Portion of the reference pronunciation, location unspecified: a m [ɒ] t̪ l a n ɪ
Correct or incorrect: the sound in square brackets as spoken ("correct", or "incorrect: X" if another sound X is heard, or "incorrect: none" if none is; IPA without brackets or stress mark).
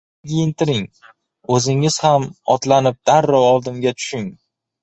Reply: correct